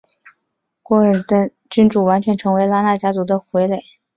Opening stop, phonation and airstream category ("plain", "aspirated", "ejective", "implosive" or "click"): plain